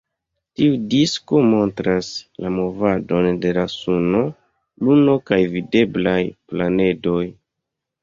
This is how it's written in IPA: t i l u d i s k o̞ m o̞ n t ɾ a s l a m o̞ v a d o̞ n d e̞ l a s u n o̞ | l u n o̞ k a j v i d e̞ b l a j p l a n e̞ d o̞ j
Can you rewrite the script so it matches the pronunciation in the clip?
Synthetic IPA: t i u d i s k o̞ m o̞ n t ɾ a s l a m o̞ v a d o̞ n d e̞ l a s u n o̞ | l u n o̞ k a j v i d e̞ b l a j p l a n e̞ d o̞ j